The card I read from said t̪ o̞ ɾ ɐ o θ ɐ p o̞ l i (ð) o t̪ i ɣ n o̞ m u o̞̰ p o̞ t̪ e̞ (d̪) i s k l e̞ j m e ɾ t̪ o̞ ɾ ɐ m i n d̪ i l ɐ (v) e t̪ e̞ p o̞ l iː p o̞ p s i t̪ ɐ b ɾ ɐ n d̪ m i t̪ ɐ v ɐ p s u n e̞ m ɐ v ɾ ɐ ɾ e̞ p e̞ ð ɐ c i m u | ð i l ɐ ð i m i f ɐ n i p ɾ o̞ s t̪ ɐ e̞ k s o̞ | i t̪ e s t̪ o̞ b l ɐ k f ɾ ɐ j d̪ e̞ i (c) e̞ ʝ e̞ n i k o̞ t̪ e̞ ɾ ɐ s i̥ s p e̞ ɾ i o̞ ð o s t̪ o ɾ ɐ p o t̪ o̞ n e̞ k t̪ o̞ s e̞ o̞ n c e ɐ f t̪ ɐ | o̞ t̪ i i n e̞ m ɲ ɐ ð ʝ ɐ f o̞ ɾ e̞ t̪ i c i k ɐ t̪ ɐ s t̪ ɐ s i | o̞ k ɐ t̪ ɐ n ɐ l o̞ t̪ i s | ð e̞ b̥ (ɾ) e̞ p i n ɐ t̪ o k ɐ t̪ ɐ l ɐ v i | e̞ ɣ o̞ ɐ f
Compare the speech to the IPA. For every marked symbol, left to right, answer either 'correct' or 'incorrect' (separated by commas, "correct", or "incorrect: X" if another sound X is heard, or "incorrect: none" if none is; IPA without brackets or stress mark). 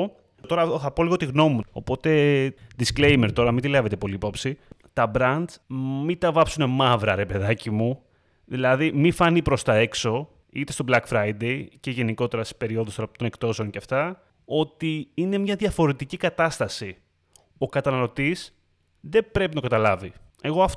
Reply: incorrect: ɣ, correct, correct, correct, correct